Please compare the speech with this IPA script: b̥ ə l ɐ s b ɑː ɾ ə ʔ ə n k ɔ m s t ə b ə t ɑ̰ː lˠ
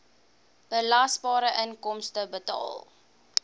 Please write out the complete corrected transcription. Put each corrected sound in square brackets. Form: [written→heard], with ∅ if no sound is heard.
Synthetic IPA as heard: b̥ ə l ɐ s b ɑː ɾ ə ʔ ə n k ɔ m s t ə b ə t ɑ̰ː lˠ